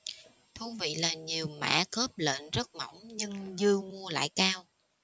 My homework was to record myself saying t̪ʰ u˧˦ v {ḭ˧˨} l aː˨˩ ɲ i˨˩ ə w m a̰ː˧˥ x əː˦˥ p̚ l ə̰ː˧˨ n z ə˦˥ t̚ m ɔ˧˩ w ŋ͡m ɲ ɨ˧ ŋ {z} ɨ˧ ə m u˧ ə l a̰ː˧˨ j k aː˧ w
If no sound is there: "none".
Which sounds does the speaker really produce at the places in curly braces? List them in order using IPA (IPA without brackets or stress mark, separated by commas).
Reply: ḭ˧˨, z